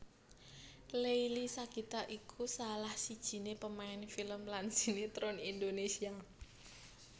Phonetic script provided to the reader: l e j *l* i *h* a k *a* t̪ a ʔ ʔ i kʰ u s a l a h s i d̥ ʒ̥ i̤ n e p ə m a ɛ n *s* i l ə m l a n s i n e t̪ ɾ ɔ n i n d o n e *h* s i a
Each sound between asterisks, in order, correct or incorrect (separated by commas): correct, incorrect, incorrect, incorrect, incorrect